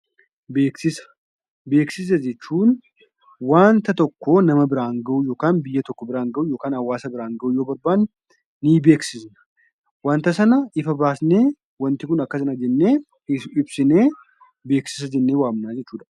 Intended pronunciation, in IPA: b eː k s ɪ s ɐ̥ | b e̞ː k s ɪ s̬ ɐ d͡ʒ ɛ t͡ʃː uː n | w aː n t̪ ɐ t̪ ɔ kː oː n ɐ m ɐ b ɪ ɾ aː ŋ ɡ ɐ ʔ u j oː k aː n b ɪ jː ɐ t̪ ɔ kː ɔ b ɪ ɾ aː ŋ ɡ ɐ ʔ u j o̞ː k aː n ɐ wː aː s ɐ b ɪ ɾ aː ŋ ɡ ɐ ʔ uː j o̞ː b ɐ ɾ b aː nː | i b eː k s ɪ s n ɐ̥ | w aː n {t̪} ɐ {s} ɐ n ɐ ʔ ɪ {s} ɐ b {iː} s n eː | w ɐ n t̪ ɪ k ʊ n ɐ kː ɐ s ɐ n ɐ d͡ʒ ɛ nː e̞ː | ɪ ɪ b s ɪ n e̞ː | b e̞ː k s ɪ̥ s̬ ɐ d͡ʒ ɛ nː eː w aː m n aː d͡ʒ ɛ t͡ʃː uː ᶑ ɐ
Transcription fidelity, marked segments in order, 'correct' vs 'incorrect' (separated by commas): correct, correct, incorrect, incorrect